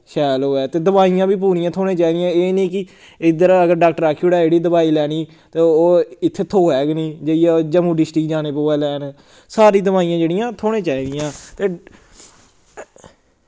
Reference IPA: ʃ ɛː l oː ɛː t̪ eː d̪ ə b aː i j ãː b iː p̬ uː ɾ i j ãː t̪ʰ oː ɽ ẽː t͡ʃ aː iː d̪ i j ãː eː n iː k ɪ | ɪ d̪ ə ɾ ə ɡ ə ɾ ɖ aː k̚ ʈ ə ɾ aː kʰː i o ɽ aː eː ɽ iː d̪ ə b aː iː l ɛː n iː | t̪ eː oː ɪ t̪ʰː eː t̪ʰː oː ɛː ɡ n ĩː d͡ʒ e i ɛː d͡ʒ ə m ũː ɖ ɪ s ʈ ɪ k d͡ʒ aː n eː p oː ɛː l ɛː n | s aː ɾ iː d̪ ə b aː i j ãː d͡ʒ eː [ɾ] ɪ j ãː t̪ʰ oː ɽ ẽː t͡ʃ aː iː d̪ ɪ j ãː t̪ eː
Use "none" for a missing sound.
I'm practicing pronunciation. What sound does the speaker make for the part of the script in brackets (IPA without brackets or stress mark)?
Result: ɽ